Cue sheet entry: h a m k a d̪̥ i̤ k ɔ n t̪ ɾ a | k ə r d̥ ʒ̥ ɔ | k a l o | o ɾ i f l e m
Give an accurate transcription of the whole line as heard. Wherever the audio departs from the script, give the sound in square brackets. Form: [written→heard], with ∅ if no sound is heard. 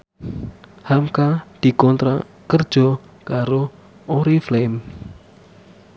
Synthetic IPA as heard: h a m k a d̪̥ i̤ k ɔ n t̪ ɾ a | k ə r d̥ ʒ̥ ɔ | k a [l→ɾ] o | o ɾ i f l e m